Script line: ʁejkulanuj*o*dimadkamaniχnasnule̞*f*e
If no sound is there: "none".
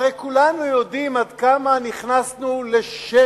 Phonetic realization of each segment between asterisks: o, ʃ

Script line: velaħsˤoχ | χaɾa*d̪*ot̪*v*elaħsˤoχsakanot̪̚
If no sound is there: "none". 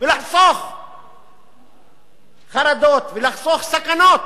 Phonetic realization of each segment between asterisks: d̪, v

